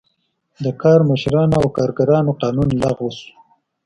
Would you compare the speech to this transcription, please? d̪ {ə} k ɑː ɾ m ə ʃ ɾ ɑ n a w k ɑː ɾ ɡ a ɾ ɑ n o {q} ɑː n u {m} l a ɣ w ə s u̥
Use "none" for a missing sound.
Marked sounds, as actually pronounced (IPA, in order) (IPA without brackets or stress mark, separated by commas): ə, q, n